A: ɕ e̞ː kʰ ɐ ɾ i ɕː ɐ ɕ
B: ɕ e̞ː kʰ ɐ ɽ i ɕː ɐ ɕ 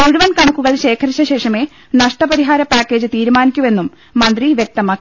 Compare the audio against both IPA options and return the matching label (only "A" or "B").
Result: A